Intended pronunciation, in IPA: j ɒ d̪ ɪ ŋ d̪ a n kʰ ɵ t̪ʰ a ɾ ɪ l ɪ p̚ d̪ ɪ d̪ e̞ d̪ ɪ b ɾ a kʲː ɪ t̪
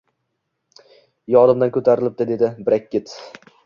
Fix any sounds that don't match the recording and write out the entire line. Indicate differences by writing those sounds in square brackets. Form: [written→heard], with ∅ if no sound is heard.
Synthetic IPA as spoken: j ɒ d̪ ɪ [ŋ→m] d̪ a n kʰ ɵ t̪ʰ a ɾ ɪ l ɪ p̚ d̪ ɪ d̪ e̞ d̪ ɪ b ɾ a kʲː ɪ t̪